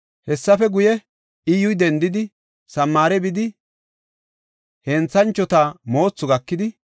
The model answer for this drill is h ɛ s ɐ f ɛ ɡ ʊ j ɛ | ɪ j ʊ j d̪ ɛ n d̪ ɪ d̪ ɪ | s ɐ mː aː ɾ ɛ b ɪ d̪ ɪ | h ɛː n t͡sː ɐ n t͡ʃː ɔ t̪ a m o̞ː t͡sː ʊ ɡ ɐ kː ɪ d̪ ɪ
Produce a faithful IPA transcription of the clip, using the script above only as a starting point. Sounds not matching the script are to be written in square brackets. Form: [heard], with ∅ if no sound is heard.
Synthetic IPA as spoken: h ɛ [sː] ɐ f ɛ ɡ ʊ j ɛ | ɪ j ʊ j d̪ ɛ n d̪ ɪ d̪ ɪ | s ɐ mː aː ɾ ɛ b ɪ d̪ ɪ | h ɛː n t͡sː ɐ n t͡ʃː ɔ t̪ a m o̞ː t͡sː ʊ ɡ ɐ kː ɪ d̪ ɪ